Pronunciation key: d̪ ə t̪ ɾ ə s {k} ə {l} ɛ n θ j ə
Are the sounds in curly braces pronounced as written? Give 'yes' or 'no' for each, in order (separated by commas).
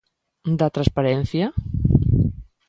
no, no